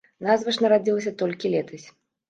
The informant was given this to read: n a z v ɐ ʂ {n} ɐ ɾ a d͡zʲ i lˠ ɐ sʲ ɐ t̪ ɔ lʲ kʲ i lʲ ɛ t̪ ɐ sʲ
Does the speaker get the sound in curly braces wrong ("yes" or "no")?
no